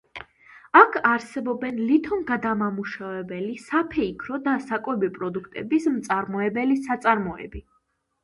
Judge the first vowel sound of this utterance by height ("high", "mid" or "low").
low